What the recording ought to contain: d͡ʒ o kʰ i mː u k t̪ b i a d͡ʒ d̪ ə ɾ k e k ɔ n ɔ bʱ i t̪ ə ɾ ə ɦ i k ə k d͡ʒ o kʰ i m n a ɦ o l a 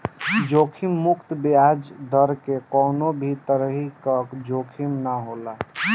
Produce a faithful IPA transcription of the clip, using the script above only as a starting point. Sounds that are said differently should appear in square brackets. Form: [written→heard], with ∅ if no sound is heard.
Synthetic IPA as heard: d͡ʒ o kʰ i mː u k t̪ b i a d͡ʒ d̪ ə ɾ k e k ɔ n [ɔ→o] bʱ i t̪ ə ɾ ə ɦ i k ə k d͡ʒ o kʰ i m n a ɦ o l a